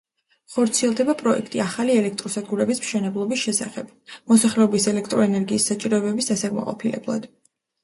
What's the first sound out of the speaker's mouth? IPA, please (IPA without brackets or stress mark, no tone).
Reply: χ